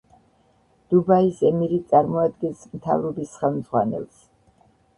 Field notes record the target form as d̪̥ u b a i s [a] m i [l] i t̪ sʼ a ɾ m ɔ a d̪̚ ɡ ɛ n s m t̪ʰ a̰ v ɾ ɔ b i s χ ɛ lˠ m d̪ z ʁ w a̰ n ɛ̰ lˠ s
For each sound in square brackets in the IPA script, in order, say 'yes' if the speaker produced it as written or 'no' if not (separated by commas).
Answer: no, no